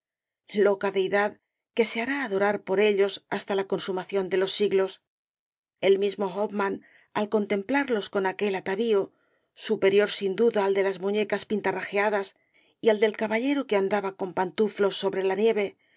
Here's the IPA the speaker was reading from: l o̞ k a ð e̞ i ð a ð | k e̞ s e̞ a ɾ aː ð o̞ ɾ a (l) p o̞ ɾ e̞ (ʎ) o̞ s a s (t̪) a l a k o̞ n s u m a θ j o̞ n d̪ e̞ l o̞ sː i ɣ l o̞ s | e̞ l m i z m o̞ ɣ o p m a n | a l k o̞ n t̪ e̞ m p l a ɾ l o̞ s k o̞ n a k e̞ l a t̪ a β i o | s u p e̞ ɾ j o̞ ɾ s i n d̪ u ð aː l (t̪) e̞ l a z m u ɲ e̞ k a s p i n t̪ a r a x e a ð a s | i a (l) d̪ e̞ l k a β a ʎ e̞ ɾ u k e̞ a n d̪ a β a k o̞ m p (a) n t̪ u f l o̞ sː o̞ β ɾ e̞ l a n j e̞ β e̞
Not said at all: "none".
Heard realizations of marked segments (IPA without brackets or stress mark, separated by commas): ɾ, ʎ, t̪, d̪, l, a